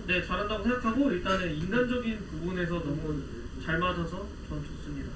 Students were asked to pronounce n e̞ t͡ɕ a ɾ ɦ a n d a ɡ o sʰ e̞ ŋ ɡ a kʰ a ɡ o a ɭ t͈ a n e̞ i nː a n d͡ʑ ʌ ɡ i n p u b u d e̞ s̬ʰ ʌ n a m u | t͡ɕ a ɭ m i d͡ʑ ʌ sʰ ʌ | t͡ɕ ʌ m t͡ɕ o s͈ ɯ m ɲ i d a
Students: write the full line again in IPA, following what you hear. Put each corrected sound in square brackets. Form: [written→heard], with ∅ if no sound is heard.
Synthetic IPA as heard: n e̞ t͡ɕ a ɾ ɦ a n d a ɡ o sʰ e̞ ŋ ɡ a kʰ a ɡ o [a→i] ɭ t͈ a n e̞ i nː a n d͡ʑ ʌ ɡ i n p u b u [d→n] e̞ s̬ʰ ʌ n [a→ʌ] m u | t͡ɕ a ɭ m [i→a] d͡ʑ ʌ sʰ ʌ | t͡ɕ ʌ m t͡ɕ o s͈ ɯ m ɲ i d a

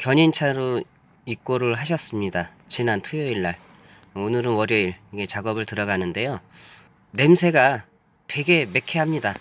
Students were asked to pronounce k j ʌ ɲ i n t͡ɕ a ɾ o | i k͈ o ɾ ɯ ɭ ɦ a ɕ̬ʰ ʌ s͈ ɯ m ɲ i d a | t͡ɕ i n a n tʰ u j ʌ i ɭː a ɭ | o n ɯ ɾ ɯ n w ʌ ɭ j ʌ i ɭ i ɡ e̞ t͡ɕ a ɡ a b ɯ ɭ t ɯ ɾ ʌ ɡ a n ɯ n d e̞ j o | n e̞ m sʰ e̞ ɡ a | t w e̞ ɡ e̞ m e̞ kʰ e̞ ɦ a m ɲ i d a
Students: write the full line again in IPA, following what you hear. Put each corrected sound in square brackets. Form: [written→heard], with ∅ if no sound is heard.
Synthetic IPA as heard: k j ʌ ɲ i n [t͡ɕ→t͡ɕʰ] a ɾ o | i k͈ o ɾ ɯ ɭ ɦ a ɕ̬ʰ ʌ s͈ ɯ m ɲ i d a | t͡ɕ i n a n tʰ u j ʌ i ɭː a ɭ | o n ɯ ɾ ɯ n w ʌ [ɭ→ɾ] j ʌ i ɭ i ɡ e̞ t͡ɕ a ɡ [a→ʌ] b ɯ ɭ t ɯ ɾ ʌ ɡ a n ɯ n d e̞ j o | n e̞ m sʰ e̞ ɡ a | t w e̞ ɡ e̞ m e̞ kʰ e̞ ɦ a m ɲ i d a

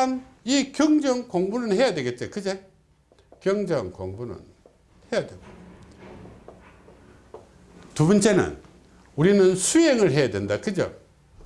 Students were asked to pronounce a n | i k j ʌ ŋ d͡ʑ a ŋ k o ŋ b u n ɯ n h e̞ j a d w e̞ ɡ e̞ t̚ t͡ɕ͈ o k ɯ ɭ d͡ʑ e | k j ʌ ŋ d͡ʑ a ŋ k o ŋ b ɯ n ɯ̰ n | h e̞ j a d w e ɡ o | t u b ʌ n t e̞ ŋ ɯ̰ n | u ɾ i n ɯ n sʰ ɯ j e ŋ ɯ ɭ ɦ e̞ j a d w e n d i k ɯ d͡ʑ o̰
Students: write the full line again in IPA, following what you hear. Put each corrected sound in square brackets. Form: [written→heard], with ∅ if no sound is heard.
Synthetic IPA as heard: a n | i k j ʌ ŋ d͡ʑ [a→ʌ] ŋ k o ŋ b u n ɯ n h e̞ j a d w e̞ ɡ e̞ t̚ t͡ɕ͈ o k ɯ [ɭ→∅] d͡ʑ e | k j ʌ ŋ d͡ʑ [a→ʌ] ŋ k o ŋ b [ɯ→u] n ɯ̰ n | h e̞ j a d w e ɡ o | t u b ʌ n [t→t͡ɕ͈] e̞ [ŋ→n] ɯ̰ n | u ɾ i n ɯ n sʰ [ɯ→u] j e ŋ ɯ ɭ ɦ e̞ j a d w e n d [i→a] k ɯ d͡ʑ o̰

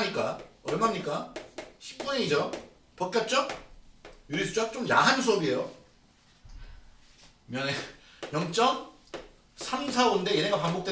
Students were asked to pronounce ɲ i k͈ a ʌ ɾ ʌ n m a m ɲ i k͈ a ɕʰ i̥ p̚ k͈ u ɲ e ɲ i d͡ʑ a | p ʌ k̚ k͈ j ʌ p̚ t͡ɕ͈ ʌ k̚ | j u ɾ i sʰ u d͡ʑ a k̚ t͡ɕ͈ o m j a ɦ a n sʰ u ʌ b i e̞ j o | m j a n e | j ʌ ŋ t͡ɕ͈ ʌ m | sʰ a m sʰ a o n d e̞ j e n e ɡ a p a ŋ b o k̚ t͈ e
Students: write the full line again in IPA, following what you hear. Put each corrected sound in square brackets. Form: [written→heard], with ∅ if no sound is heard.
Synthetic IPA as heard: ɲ i k͈ a ʌ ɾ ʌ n m a m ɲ i k͈ a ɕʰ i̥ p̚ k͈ u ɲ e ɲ i d͡ʑ [a→ʌ] | p ʌ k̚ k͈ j ʌ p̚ t͡ɕ͈ ʌ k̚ | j u ɾ i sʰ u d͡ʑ a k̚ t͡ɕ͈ o m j a ɦ a n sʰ u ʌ b i e̞ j o | m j [a→ʌ] n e | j ʌ ŋ t͡ɕ͈ ʌ m | sʰ a m sʰ a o n d e̞ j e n e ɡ a p a ŋ b o k̚ t͈ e

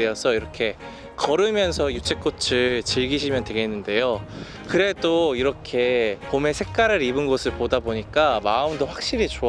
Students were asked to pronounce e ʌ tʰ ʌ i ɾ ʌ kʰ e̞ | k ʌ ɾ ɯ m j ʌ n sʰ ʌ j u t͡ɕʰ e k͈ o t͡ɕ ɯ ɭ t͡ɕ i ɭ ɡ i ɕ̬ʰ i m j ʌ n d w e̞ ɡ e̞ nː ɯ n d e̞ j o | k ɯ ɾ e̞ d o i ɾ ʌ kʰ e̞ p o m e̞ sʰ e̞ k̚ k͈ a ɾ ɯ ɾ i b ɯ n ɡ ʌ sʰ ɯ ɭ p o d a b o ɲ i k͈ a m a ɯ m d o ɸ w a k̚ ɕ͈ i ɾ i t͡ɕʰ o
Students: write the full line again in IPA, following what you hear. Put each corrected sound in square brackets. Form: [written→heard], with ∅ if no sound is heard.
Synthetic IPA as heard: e ʌ [tʰ→sʰ] ʌ i ɾ ʌ kʰ e̞ | k ʌ ɾ ɯ m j ʌ n sʰ ʌ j u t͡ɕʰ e k͈ o [t͡ɕ→t͡ɕʰ] ɯ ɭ t͡ɕ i ɭ ɡ i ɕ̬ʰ i m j ʌ n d w e̞ ɡ e̞ nː ɯ n d e̞ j o | k ɯ ɾ e̞ d o i ɾ ʌ kʰ e̞ p o m e̞ sʰ e̞ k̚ k͈ a ɾ ɯ ɾ i b ɯ n ɡ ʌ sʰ ɯ ɭ p o d a b o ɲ i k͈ a m a ɯ m d o ɸ w a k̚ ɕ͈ i ɾ i [t͡ɕʰ→t͡ɕ] o

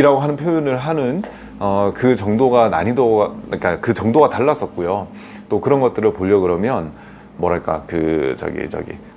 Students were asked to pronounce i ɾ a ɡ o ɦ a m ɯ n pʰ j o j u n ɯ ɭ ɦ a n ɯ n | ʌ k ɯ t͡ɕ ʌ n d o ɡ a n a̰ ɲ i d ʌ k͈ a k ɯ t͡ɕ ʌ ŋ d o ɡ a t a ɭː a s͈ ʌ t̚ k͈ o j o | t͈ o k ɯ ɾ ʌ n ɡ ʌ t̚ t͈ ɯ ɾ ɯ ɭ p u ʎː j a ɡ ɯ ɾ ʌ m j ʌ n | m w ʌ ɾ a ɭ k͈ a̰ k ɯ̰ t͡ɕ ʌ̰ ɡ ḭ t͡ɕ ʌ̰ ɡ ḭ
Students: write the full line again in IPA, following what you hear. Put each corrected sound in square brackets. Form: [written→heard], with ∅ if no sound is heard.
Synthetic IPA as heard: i ɾ a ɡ o ɦ a [m→n] ɯ n pʰ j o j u n ɯ ɭ ɦ a n ɯ n | ʌ k ɯ t͡ɕ ʌ [n→ŋ] d o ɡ a n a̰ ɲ i d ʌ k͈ a k ɯ t͡ɕ ʌ ŋ d o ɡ a t a ɭː a s͈ ʌ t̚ k͈ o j o | t͈ o k ɯ ɾ ʌ n ɡ ʌ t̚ t͈ ɯ ɾ ɯ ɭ p [u→o] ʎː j [a→ʌ] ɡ ɯ ɾ ʌ m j ʌ n | m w ʌ ɾ a ɭ k͈ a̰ k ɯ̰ t͡ɕ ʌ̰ ɡ ḭ t͡ɕ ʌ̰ ɡ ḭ

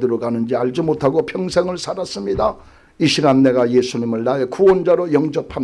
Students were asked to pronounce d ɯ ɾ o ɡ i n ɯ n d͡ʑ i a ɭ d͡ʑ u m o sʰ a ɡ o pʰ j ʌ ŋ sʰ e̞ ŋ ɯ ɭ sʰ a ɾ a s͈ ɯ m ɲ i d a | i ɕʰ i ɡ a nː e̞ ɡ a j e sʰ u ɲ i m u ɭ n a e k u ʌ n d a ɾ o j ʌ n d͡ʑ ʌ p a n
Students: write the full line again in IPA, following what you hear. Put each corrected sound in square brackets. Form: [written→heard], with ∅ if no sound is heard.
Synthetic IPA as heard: d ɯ ɾ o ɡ [i→a] n ɯ n d͡ʑ i a ɭ d͡ʑ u m o [sʰ→tʰ] a ɡ o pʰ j ʌ ŋ sʰ e̞ ŋ ɯ ɭ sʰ a ɾ a s͈ ɯ m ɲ i d a | i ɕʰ i ɡ a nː e̞ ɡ a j e sʰ u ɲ i m [u→ɯ] ɭ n a e k u ʌ n [d→d͡ʑ] a ɾ o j ʌ [n→ŋ] d͡ʑ ʌ [p→pʰ] a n

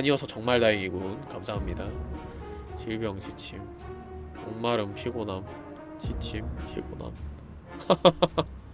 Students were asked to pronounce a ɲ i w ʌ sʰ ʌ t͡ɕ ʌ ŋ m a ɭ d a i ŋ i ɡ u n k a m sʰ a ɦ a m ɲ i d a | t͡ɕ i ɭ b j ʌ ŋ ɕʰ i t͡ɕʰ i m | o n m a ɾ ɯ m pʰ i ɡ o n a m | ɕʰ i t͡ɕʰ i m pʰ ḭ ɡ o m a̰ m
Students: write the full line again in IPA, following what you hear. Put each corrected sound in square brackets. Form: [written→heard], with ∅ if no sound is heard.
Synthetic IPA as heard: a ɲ i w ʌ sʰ ʌ t͡ɕ ʌ ŋ m a ɭ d a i ŋ i ɡ u n k a m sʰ a ɦ a m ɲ i d a | t͡ɕ i ɭ b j ʌ ŋ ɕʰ i t͡ɕʰ i m | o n m a ɾ ɯ m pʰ i ɡ o n a m | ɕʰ i t͡ɕʰ i m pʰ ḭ ɡ o [m→n] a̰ m

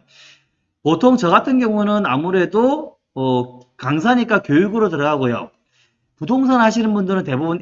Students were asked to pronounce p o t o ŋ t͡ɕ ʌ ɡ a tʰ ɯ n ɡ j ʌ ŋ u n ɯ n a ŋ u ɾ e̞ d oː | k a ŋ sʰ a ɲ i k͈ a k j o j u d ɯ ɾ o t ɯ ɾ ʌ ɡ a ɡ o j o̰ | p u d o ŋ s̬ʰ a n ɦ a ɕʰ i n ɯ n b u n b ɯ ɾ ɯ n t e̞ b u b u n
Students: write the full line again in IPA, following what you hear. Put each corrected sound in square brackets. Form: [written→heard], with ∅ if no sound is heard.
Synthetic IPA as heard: p o [t→tʰ] o ŋ t͡ɕ ʌ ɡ a tʰ ɯ n ɡ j ʌ ŋ u n ɯ n a [ŋ→m] u ɾ e̞ d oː | k a ŋ sʰ a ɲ i k͈ a k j o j u [d→ɡ] ɯ ɾ o t ɯ ɾ ʌ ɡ a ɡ o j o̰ | p u d o ŋ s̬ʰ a n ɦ a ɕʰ i n ɯ n b u n [b→d] ɯ ɾ ɯ n t e̞ b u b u n

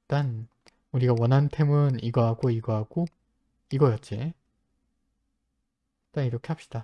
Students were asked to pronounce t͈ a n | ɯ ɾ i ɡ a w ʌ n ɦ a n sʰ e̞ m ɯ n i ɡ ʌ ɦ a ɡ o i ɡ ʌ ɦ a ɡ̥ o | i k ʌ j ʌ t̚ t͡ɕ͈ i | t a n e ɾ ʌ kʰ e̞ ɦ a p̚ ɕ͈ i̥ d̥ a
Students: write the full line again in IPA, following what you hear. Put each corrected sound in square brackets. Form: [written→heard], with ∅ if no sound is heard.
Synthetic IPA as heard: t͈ a n | [ɯ→u] ɾ i ɡ a w ʌ n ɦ a n [sʰ→tʰ] e̞ m ɯ n i ɡ ʌ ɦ a ɡ o i ɡ ʌ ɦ a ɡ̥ o | i [k→ɡ] ʌ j ʌ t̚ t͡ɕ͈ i | t a n [e→i] ɾ ʌ kʰ e̞ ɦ a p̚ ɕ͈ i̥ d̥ a

